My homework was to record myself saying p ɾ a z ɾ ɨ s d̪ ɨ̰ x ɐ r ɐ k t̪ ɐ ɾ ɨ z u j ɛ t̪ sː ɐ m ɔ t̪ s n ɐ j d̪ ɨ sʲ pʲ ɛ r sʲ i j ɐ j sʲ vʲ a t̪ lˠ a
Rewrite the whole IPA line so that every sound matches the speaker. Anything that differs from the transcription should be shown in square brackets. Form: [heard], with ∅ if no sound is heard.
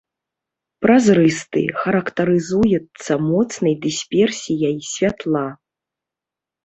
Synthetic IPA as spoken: p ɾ a z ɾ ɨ s [t̪] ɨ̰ x ɐ [ɾ] ɐ k t̪ ɐ ɾ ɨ z u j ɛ t̪ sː ɐ m ɔ t̪ s n ɐ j d̪ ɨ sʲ pʲ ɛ r sʲ i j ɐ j sʲ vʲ a t̪ lˠ a